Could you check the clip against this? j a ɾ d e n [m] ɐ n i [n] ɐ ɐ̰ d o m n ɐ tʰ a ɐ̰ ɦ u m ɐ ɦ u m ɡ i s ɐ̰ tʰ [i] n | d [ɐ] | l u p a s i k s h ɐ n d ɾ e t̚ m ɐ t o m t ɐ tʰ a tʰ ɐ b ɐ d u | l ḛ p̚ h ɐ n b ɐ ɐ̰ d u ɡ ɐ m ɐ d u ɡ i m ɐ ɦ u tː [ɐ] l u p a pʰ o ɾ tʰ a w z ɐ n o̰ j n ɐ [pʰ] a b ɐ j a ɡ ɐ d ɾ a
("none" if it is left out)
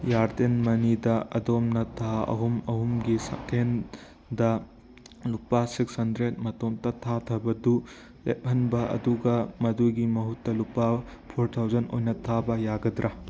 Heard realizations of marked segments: m, d, e, ɐ, ɐ, tʰ

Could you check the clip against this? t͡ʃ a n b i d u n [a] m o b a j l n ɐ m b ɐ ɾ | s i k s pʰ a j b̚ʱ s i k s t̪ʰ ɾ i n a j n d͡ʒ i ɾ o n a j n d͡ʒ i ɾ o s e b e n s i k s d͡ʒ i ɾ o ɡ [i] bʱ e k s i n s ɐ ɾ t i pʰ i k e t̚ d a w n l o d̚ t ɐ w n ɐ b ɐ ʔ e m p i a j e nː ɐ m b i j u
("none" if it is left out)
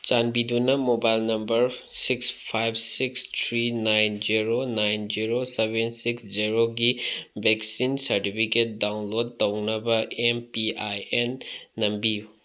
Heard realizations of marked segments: ɐ, i

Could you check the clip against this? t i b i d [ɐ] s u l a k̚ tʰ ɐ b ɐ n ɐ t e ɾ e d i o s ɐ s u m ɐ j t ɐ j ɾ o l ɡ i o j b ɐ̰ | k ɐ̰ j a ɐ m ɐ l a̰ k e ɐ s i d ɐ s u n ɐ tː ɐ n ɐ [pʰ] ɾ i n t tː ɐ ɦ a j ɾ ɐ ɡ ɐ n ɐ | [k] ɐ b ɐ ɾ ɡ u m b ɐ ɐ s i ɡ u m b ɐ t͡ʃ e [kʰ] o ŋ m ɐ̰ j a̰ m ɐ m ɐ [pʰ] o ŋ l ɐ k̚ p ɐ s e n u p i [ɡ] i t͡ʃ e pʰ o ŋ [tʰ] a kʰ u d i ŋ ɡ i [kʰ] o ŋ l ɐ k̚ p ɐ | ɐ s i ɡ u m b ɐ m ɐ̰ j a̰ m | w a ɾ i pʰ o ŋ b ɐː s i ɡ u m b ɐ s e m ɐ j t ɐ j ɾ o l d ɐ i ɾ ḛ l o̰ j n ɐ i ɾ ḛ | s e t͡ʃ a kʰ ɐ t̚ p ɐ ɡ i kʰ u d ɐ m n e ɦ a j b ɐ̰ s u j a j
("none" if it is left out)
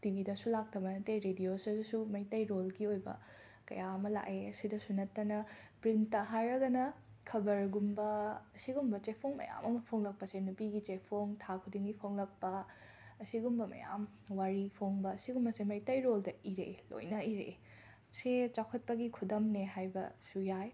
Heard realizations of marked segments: ɐ, p, kʰ, pʰ, pʰ, ɡ, tʰ, pʰ

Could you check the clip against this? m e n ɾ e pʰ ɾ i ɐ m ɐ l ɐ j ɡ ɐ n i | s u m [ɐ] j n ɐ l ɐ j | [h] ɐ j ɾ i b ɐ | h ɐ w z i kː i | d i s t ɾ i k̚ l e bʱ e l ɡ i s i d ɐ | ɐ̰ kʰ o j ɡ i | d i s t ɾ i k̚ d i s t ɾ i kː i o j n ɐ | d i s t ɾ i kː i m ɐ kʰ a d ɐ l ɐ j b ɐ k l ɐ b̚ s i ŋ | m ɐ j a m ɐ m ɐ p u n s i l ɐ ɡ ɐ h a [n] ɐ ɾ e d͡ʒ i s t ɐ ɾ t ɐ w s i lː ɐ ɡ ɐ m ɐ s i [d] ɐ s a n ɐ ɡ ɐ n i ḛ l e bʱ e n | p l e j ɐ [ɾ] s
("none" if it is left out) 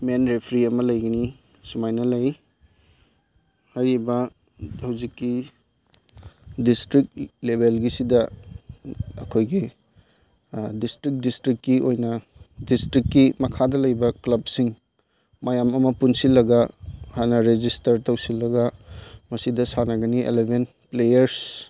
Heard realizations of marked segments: a, h, n, d, ɾ

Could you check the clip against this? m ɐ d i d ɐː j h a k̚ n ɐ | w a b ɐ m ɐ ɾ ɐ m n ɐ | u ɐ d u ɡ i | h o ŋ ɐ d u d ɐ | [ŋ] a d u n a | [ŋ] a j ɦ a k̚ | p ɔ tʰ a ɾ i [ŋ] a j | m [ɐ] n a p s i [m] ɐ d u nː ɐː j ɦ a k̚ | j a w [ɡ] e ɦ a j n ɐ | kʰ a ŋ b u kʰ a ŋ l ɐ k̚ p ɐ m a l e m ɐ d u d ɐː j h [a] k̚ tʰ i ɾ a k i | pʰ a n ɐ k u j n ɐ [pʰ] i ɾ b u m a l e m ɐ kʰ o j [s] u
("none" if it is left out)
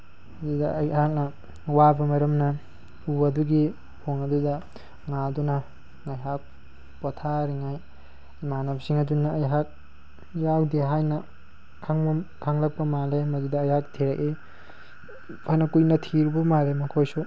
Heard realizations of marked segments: ŋ, ŋ, ŋ, a, ŋ, d, a, tʰ, s

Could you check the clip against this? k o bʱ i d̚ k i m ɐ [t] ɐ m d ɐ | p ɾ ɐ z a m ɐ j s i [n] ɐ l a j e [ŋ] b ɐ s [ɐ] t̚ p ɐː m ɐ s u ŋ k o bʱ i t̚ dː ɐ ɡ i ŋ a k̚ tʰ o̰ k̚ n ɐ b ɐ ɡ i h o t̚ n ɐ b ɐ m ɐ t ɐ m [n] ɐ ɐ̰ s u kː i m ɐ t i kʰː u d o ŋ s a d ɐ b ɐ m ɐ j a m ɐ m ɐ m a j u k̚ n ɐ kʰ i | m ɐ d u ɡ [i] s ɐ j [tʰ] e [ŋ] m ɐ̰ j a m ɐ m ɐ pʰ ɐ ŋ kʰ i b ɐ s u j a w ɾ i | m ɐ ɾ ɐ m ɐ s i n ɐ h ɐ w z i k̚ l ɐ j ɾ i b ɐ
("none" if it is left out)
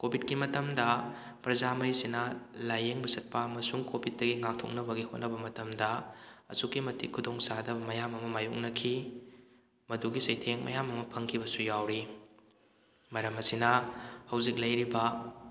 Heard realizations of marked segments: t, n, ŋ, ɐ, d, i, tʰ, ŋ

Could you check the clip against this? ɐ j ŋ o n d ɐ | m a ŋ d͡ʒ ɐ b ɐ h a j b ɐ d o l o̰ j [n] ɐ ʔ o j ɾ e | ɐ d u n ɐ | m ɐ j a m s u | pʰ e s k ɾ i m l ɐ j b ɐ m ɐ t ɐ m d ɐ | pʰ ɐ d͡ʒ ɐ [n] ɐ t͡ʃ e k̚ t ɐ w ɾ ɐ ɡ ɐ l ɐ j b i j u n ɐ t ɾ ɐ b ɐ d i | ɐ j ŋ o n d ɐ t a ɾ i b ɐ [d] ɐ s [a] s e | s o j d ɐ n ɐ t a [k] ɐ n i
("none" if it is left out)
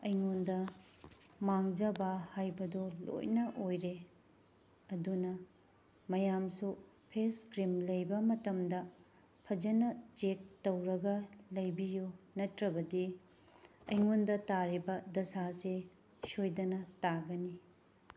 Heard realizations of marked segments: n, n, d, a, ɡ

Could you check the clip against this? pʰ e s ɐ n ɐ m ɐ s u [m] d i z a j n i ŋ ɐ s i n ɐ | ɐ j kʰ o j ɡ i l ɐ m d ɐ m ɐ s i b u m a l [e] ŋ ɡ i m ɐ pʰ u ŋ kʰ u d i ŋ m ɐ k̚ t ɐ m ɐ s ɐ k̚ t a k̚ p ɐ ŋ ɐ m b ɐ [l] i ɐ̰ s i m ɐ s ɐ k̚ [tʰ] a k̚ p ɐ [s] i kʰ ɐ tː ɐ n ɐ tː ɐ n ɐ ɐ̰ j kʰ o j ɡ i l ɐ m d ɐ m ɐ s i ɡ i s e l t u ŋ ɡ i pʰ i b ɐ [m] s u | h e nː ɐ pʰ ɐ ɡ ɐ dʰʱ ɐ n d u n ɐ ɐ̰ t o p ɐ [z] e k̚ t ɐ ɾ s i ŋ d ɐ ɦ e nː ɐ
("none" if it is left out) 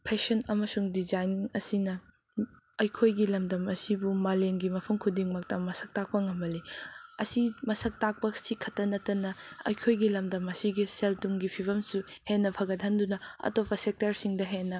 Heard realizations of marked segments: ŋ, e, l, t, s, m, s

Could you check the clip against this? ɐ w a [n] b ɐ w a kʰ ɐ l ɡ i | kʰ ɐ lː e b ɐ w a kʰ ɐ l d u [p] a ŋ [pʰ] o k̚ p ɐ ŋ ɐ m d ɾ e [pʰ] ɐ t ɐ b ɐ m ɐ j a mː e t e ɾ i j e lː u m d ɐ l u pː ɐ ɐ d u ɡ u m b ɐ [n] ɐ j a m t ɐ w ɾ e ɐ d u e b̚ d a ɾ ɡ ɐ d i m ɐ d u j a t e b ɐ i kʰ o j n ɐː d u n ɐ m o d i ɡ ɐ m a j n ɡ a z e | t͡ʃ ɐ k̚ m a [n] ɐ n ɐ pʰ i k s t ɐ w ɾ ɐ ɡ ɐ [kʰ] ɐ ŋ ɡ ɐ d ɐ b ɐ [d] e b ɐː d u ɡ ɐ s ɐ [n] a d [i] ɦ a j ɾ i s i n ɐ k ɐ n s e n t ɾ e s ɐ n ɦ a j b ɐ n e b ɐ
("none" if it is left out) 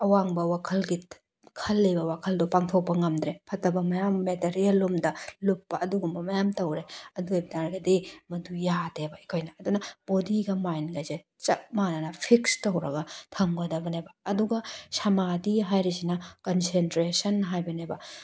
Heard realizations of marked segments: ŋ, p, tʰ, pʰ, m, n, tʰ, n, m, i

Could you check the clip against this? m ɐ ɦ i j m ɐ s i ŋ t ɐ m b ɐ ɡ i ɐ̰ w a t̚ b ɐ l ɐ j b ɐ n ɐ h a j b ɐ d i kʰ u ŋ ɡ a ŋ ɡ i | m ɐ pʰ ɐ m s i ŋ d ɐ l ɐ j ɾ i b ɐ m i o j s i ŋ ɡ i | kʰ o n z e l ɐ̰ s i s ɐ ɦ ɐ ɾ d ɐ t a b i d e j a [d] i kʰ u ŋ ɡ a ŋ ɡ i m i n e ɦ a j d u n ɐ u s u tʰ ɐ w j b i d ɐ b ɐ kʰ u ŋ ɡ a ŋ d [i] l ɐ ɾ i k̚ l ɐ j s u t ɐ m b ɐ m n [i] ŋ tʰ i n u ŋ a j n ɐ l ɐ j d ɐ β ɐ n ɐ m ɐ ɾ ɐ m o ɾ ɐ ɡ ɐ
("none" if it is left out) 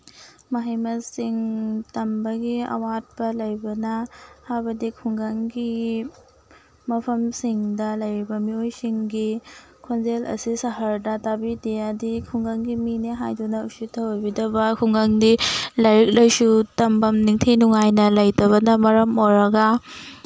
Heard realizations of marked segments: d, i, i

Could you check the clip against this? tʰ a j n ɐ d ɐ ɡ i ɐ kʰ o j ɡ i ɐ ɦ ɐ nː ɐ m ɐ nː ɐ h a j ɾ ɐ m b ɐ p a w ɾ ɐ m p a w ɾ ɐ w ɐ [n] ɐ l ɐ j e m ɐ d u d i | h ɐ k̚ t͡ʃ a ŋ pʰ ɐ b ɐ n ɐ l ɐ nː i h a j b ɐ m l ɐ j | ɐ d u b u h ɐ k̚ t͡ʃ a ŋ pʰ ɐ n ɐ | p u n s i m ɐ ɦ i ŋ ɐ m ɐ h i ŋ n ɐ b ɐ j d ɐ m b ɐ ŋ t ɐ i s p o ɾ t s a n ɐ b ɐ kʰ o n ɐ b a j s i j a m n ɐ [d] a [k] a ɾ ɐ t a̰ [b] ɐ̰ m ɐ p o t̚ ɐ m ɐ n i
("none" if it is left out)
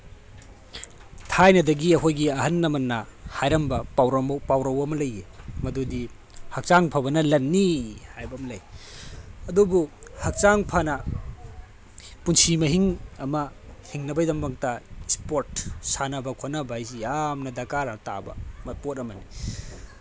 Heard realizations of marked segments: m, d, k, b

